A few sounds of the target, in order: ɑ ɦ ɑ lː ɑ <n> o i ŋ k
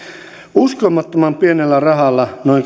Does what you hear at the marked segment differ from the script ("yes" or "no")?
no